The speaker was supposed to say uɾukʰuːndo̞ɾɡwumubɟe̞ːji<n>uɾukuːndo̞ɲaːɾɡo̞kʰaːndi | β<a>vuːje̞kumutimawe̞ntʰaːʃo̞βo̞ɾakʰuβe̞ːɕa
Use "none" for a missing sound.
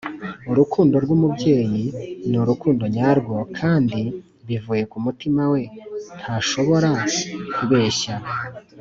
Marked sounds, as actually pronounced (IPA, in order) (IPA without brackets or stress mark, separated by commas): n, i